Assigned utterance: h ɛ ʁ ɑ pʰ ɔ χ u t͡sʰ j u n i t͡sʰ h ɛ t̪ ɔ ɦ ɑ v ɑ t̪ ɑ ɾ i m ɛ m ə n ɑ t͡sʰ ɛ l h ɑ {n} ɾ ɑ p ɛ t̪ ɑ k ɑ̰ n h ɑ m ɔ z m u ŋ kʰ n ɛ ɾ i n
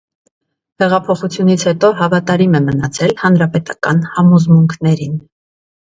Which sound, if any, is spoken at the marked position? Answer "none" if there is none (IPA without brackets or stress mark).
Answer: n